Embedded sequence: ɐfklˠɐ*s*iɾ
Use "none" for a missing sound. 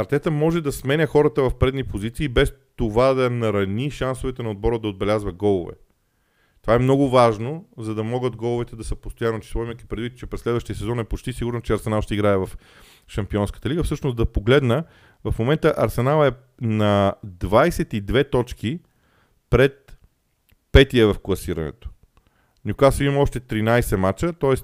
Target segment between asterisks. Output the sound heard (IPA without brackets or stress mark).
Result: s